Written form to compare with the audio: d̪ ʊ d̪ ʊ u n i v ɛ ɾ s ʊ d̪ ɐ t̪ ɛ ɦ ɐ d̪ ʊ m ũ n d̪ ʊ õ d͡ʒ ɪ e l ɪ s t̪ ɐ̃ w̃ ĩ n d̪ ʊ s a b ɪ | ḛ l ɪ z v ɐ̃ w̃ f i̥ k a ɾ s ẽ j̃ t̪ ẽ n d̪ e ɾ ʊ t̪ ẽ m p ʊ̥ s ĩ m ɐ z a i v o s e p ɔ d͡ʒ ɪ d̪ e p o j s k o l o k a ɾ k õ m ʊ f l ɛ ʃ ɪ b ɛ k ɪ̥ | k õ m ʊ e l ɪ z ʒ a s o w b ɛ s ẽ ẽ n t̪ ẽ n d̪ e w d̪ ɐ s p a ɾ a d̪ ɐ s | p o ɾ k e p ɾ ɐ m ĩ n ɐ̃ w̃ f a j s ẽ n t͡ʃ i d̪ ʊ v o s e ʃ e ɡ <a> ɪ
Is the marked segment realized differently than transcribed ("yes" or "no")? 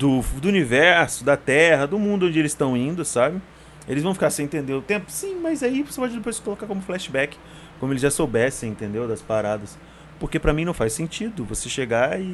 no